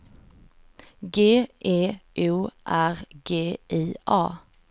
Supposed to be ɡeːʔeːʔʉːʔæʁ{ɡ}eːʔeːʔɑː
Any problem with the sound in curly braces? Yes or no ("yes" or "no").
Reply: no